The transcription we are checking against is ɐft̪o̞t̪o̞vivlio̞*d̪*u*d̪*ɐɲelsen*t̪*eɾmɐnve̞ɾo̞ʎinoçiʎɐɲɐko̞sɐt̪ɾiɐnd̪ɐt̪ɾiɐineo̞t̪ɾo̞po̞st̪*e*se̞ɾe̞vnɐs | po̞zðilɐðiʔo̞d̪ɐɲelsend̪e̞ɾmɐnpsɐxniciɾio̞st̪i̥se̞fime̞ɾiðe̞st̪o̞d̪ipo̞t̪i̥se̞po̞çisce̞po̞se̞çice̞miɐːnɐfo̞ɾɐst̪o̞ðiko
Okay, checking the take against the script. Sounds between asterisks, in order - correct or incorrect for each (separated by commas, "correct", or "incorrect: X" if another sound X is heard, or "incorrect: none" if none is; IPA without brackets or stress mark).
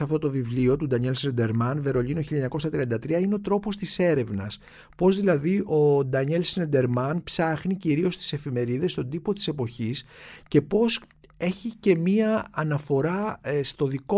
incorrect: t̪, correct, incorrect: d̪, incorrect: i